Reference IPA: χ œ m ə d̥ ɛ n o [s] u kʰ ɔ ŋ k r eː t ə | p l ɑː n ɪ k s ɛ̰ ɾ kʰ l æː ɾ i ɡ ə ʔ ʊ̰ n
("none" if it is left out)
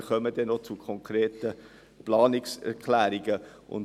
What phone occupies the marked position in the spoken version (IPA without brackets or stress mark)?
t͡s